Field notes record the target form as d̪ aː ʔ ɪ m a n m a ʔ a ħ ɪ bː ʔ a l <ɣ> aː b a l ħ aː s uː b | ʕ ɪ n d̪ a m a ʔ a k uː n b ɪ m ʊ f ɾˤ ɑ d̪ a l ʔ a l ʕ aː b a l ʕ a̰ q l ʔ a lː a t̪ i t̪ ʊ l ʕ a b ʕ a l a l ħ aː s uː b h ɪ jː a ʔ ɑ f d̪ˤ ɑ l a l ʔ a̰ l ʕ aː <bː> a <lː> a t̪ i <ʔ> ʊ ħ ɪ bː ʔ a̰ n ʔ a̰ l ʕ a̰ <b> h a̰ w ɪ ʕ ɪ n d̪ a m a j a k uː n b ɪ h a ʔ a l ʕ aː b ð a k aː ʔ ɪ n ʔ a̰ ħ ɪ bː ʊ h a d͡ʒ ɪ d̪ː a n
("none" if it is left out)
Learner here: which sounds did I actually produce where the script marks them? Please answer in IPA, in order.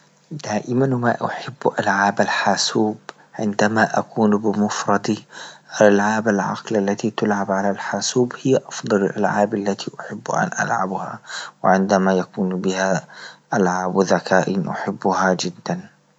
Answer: ʕ, b, lː, ʔ, b

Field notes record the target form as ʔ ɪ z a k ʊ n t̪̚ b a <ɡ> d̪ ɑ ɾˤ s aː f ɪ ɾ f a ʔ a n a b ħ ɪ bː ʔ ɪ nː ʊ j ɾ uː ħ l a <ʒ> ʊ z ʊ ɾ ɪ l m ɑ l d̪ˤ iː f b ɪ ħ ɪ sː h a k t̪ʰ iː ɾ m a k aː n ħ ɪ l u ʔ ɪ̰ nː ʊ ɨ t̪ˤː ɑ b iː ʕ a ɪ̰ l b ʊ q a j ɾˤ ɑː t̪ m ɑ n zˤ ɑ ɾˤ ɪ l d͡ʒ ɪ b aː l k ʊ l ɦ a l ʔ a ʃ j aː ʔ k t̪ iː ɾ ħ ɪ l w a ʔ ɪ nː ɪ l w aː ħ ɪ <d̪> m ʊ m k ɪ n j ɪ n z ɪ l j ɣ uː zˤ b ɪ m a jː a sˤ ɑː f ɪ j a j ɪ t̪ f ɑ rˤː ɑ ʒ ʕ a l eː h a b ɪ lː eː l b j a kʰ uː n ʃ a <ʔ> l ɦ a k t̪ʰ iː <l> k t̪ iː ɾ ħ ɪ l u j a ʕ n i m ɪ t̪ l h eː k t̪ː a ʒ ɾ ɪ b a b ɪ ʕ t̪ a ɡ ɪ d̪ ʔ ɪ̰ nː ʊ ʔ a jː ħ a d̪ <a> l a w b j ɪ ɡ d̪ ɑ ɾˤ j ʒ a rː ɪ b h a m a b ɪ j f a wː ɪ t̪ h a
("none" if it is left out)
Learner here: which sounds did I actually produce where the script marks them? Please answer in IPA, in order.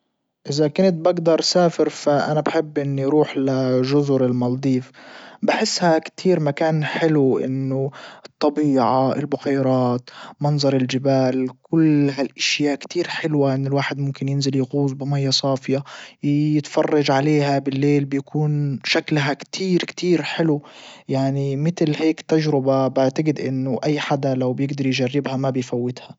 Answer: ɡ, ʒ, d̪, k, ɾ, a

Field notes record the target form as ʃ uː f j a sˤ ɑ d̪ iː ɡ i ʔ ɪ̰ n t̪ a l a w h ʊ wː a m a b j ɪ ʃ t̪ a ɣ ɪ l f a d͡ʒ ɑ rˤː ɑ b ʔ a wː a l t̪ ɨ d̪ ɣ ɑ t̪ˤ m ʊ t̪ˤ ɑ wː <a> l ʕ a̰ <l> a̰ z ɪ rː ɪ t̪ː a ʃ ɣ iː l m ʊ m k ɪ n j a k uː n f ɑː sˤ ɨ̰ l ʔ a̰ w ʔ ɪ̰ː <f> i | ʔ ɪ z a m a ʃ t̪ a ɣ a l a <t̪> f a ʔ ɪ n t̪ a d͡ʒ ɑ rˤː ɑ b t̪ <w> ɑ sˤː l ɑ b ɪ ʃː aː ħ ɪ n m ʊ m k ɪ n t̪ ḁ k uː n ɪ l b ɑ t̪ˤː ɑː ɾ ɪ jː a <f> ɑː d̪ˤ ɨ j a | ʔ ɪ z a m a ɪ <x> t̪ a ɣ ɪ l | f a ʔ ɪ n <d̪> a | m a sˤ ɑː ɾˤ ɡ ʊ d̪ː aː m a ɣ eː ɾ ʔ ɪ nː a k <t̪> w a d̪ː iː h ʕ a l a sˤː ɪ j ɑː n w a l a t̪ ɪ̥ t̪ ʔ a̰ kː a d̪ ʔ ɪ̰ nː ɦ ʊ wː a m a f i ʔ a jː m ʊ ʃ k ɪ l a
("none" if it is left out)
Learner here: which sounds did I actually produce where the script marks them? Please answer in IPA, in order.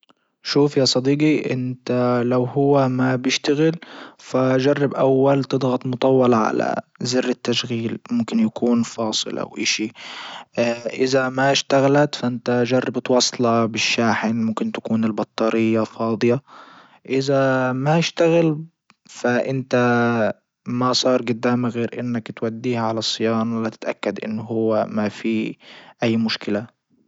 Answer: ɑ, l, ʃ, t̪, w, f, ʃ, t̪, t̪

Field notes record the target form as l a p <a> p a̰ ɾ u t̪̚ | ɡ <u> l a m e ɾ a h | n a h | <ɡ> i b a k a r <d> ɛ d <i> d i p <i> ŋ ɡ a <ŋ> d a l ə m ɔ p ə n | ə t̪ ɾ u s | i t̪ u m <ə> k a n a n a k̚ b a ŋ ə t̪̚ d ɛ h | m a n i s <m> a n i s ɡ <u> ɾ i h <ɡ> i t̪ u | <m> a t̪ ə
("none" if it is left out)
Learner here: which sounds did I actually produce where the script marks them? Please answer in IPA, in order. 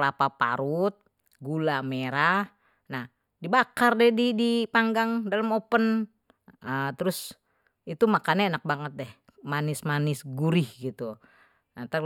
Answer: a, u, d, d, i, a, ŋ, a, m, u, ɡ, n

